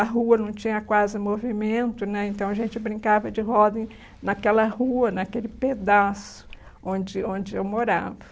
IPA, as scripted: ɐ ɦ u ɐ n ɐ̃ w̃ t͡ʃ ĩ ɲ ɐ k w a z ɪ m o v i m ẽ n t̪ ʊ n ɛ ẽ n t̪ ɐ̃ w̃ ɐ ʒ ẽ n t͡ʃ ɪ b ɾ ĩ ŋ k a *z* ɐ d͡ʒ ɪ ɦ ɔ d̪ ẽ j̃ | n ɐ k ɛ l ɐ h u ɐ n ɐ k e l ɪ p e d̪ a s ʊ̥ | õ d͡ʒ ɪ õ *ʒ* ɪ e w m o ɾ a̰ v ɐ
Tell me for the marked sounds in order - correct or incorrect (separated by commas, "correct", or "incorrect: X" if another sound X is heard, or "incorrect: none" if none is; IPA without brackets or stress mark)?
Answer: incorrect: v, incorrect: d͡ʒ